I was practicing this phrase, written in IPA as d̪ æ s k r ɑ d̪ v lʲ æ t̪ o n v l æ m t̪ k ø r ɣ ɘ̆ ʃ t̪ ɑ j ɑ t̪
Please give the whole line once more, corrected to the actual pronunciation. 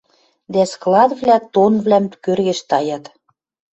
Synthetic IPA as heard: d̪ æ s k l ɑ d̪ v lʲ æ t̪ o n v l æ m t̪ k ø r ɣ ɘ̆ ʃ t̪ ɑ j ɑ t̪